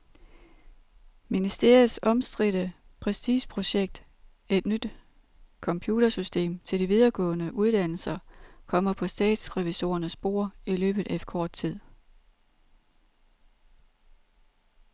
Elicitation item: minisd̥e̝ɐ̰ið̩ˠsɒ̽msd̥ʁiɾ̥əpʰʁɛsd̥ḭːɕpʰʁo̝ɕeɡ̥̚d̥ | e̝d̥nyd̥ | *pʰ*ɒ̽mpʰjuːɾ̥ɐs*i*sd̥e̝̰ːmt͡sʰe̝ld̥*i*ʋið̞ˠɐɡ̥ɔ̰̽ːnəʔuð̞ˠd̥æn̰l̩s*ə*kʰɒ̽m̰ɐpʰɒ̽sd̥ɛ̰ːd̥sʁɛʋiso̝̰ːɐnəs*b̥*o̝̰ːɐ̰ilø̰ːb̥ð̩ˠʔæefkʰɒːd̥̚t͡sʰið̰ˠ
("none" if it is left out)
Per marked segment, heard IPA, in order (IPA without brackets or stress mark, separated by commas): kʰ, y, i, ɐ, b̥